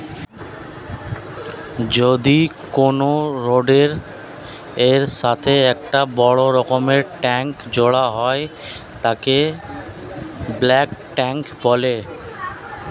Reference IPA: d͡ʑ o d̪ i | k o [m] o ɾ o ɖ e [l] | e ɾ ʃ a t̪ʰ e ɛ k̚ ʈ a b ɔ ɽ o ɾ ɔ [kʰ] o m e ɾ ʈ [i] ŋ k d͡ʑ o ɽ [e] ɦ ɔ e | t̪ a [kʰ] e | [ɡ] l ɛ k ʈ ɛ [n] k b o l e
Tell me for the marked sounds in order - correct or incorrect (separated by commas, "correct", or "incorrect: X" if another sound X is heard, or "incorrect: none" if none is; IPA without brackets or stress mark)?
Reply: incorrect: n, incorrect: ɾ, incorrect: k, incorrect: ɛ, incorrect: a, incorrect: k, incorrect: b, incorrect: ŋ